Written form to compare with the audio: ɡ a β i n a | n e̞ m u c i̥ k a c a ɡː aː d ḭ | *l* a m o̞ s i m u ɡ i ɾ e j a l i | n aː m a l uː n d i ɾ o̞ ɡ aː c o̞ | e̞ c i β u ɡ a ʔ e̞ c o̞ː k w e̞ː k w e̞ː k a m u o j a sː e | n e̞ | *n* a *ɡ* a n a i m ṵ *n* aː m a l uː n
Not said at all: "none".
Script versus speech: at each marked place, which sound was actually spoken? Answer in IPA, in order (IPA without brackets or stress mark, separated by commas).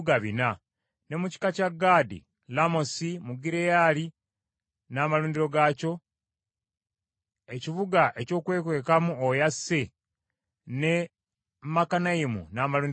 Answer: l, m, k, n